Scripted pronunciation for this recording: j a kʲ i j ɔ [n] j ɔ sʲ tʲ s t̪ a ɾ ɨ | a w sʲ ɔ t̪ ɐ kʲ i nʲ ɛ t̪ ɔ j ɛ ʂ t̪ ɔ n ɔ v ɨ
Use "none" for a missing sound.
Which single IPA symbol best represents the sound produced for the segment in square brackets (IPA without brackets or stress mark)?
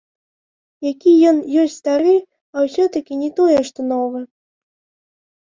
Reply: n